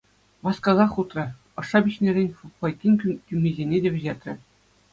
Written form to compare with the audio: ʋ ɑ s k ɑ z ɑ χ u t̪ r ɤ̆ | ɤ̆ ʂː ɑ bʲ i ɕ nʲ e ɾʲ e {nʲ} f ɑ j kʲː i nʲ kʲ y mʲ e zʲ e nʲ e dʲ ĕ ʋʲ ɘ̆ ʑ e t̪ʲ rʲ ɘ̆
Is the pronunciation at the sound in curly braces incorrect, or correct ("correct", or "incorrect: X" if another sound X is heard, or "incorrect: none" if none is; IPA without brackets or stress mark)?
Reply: correct